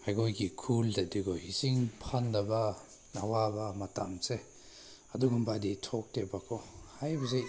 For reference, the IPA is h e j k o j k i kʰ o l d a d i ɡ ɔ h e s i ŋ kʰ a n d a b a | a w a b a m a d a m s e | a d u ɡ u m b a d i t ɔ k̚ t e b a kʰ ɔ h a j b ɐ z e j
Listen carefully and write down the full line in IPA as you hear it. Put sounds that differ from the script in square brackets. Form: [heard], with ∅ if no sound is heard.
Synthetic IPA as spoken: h [a] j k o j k i kʰ [u] l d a d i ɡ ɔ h [i] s i ŋ [pʰ] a n d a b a | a w a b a m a [t] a m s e | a d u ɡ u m b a d i [tʰ] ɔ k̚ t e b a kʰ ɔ h a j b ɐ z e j

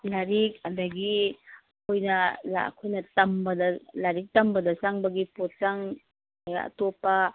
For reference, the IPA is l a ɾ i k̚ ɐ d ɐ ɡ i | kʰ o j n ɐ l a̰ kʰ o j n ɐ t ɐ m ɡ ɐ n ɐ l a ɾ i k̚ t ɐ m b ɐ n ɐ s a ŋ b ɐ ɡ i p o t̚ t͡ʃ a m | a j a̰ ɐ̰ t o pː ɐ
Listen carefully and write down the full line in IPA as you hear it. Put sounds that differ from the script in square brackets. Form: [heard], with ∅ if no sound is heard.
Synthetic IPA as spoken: l a ɾ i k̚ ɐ d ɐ ɡ i | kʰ o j n ɐ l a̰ kʰ o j n ɐ t ɐ m [b] ɐ [d] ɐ l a ɾ i k̚ t ɐ m b ɐ [d] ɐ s a ŋ b ɐ ɡ i p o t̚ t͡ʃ a [ŋ] | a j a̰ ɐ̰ t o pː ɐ

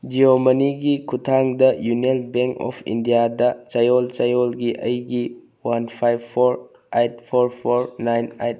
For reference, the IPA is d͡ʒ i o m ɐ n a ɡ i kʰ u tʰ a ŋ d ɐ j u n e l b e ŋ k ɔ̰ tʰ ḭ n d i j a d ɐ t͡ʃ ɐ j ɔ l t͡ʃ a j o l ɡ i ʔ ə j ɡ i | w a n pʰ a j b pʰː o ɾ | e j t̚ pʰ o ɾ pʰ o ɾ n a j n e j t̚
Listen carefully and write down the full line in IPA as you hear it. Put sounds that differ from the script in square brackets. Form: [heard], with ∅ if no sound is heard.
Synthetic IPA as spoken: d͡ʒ i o m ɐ n [i] ɡ i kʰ u tʰ a ŋ d ɐ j u n e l b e ŋ k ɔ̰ [pʰ] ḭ n d i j a d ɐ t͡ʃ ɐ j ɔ l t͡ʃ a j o l ɡ i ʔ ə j ɡ i | w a n pʰ a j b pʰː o ɾ | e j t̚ pʰ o ɾ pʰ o ɾ n a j n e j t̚

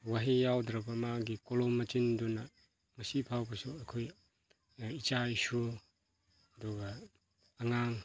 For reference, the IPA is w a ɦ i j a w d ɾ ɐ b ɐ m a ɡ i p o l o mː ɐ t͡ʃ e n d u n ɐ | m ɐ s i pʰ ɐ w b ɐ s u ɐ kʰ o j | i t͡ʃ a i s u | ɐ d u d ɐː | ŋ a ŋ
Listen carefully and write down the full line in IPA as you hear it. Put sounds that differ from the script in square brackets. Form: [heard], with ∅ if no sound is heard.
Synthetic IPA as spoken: w a ɦ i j a w d ɾ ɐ b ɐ m a ɡ i [k] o l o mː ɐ t͡ʃ [i] n d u n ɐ | m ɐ s i pʰ [a] w b ɐ s u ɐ kʰ o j | i t͡ʃ a i s u | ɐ d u [ɡ] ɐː | ŋ a ŋ

